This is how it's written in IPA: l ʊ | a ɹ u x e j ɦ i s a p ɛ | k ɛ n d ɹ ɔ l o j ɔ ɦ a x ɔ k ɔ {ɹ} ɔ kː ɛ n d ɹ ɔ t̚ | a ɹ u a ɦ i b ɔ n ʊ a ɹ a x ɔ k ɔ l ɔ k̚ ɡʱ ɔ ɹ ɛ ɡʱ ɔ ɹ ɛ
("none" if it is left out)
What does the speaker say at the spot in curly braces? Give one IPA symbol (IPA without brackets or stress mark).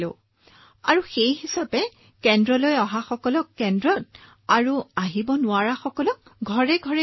l